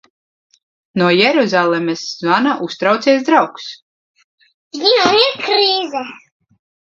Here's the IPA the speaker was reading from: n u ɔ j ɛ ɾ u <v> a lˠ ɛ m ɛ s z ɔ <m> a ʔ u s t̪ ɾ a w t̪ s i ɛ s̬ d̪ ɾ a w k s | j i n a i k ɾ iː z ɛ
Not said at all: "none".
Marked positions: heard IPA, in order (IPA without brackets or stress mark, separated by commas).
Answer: z, n